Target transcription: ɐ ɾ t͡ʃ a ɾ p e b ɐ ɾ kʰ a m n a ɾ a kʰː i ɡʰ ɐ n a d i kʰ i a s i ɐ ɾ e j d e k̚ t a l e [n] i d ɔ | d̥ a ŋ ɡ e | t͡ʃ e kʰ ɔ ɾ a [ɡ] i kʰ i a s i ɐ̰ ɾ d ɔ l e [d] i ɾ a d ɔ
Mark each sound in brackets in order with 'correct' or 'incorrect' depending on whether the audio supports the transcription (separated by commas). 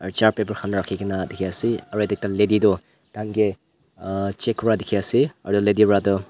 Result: incorrect, incorrect, correct